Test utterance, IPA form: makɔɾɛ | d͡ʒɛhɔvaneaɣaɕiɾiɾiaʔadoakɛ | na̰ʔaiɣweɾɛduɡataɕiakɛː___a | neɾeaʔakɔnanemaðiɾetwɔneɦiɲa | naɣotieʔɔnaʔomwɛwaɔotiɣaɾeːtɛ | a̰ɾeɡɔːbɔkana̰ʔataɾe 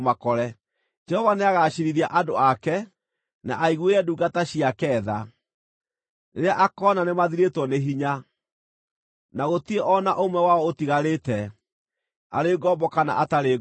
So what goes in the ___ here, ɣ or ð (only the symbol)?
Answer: ð